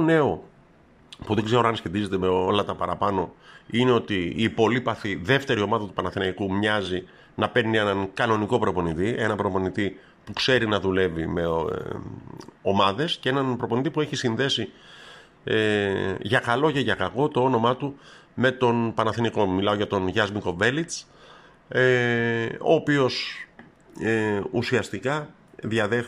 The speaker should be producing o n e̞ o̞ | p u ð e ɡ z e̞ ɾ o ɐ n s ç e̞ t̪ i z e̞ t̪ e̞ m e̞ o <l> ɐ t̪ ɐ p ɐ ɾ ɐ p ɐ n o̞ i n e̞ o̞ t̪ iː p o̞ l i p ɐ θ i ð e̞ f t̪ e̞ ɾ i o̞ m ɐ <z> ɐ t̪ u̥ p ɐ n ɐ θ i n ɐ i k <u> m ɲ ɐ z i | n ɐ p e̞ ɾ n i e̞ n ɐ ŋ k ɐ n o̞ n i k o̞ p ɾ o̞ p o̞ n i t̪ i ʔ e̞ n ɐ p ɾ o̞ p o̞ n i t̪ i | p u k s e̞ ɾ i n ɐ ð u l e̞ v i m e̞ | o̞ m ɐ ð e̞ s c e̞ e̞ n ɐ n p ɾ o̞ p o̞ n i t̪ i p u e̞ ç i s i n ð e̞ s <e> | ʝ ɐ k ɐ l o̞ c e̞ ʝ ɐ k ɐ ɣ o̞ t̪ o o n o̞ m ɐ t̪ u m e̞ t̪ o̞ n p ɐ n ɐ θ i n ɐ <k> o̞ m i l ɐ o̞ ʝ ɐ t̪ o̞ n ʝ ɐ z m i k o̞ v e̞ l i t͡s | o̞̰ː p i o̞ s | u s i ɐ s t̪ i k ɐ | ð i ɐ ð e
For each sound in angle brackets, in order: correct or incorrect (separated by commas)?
correct, incorrect, correct, incorrect, correct